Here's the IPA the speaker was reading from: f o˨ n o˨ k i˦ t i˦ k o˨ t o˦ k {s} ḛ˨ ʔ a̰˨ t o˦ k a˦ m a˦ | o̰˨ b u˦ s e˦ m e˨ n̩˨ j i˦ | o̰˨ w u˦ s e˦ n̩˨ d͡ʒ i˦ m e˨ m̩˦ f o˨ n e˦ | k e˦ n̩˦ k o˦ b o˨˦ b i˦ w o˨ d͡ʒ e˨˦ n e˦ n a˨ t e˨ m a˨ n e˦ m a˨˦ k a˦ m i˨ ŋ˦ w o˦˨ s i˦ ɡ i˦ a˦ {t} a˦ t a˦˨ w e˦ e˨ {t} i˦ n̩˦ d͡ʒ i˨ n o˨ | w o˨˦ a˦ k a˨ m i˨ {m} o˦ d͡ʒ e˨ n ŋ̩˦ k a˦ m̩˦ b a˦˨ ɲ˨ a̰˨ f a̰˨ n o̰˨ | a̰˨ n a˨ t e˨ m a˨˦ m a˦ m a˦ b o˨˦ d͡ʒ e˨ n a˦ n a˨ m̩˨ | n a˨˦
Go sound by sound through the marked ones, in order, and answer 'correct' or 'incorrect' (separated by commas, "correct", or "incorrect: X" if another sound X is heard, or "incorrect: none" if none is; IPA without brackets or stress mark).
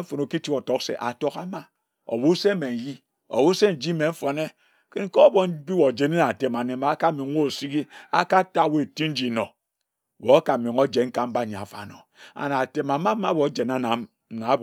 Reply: correct, incorrect: k, correct, incorrect: ŋ